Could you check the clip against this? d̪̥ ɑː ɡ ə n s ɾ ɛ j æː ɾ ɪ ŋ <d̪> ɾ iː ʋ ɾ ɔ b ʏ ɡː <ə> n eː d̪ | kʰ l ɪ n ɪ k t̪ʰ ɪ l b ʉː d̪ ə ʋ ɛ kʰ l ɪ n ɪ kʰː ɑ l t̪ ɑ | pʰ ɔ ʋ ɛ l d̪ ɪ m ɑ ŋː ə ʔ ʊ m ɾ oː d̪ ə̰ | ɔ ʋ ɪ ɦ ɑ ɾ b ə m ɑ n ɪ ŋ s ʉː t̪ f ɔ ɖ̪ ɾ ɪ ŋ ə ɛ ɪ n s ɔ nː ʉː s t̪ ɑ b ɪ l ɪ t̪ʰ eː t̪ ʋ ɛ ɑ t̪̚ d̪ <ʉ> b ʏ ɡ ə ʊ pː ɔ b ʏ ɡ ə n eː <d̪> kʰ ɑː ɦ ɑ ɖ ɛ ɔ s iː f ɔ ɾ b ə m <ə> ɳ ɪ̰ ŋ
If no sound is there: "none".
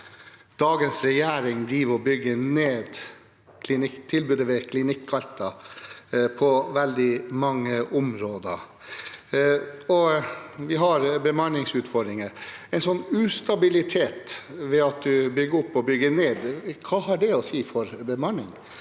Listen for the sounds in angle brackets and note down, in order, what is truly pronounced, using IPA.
d̪, ə, ʉ, d̪, ɑ

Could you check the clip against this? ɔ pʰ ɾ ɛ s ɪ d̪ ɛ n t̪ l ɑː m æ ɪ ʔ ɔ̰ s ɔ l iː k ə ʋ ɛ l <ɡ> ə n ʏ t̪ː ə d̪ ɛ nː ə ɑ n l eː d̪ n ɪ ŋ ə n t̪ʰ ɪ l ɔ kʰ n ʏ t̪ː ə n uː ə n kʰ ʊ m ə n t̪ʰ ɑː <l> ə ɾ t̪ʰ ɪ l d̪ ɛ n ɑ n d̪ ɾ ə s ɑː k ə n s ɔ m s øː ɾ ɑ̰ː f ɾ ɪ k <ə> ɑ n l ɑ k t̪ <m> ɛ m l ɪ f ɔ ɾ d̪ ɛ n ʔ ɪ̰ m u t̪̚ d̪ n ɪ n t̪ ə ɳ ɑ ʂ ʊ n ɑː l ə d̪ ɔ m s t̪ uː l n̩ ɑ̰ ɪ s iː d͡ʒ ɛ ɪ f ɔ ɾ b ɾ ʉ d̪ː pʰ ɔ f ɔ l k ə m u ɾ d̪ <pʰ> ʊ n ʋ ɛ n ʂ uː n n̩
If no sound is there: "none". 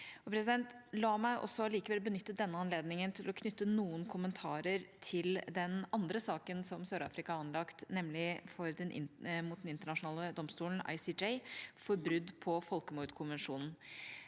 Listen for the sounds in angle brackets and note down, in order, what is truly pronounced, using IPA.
b, ɾ, ɑ, n, kʰ

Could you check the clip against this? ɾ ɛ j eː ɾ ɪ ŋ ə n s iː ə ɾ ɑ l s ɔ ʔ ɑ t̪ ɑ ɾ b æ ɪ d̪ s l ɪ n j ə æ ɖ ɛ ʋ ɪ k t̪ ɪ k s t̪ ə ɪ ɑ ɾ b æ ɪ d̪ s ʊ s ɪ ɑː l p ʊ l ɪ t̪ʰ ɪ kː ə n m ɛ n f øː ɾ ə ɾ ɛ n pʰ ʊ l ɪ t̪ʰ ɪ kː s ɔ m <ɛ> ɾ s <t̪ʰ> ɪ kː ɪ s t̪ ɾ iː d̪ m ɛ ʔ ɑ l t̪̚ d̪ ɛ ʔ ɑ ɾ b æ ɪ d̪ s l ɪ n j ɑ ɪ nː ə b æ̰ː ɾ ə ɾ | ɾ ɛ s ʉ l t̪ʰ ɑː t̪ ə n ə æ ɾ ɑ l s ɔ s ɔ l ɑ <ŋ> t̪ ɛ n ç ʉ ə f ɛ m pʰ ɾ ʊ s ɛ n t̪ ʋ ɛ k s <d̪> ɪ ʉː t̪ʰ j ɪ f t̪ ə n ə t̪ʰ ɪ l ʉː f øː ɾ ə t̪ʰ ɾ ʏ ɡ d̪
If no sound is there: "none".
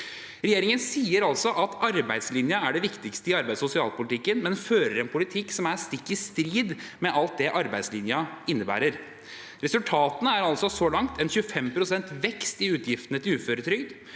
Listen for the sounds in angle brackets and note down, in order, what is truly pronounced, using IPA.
æ, t̪, ŋ, t̪

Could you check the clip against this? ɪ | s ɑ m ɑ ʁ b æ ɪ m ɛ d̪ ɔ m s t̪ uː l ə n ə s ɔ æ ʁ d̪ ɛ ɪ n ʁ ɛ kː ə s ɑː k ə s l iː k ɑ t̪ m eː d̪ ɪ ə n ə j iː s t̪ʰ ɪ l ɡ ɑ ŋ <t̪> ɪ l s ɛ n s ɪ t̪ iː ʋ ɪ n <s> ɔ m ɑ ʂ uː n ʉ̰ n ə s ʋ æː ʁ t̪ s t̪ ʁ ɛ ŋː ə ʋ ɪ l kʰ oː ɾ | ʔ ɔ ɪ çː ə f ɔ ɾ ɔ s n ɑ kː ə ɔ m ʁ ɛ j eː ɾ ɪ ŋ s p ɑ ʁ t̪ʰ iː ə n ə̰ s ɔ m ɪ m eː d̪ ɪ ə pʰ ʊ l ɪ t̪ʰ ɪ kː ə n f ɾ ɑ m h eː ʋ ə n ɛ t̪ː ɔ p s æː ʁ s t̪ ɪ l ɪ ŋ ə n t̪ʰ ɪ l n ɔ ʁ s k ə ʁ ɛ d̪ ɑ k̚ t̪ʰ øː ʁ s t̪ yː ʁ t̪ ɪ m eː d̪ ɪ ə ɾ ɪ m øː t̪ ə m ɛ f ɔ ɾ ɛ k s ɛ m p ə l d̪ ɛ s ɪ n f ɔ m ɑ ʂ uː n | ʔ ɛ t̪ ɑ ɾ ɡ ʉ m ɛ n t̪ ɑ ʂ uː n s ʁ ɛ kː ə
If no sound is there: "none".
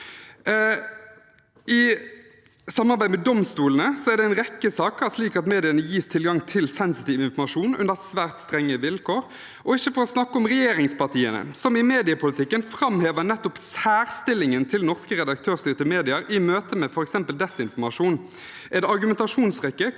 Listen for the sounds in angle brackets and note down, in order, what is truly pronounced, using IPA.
t̪ʰ, f

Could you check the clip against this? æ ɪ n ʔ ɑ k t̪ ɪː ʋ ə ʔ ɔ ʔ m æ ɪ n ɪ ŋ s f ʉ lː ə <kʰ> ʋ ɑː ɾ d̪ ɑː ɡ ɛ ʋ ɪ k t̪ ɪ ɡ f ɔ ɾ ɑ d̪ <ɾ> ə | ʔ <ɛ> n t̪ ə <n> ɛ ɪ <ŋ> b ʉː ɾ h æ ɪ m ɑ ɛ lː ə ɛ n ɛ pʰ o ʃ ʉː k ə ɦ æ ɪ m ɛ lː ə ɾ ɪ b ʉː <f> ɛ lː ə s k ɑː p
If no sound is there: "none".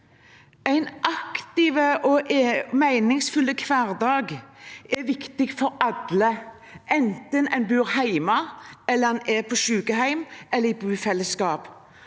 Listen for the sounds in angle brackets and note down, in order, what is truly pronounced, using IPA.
kʰ, l, ɛ, n, n, f

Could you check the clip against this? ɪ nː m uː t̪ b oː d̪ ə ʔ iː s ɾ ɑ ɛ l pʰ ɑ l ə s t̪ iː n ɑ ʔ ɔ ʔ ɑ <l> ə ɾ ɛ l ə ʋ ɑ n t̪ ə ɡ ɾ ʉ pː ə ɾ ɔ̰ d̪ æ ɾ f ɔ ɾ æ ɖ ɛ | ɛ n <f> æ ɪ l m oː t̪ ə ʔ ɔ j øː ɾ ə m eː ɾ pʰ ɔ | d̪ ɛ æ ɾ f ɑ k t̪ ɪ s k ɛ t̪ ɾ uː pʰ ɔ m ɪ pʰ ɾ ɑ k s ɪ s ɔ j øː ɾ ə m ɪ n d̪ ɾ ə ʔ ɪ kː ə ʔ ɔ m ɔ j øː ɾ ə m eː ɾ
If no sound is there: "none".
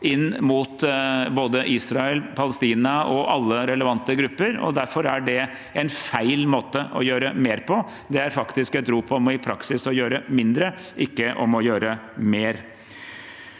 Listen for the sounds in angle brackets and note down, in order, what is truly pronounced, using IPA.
lː, f

